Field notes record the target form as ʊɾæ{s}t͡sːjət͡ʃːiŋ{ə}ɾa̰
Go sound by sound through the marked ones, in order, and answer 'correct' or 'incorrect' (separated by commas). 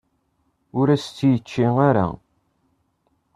correct, incorrect